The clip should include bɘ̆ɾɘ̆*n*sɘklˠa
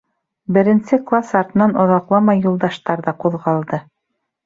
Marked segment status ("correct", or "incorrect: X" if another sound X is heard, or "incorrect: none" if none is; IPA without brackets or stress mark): correct